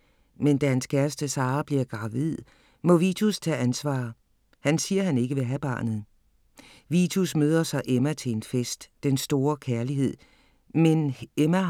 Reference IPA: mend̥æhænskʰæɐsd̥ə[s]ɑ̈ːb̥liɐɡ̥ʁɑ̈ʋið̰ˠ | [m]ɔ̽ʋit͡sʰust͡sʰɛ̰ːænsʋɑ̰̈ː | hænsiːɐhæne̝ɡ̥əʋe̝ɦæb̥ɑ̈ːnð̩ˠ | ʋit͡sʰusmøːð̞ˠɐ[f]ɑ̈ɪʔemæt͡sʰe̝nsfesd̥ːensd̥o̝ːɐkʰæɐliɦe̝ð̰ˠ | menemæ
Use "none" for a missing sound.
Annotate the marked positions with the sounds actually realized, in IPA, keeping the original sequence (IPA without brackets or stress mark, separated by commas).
s, m, s